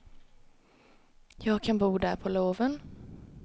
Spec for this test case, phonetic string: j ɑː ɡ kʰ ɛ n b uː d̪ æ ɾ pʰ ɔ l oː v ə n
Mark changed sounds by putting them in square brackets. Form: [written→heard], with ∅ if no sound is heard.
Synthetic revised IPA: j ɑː ɡ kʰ [ɛ→a] n b uː d̪ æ ɾ pʰ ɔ l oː v ə n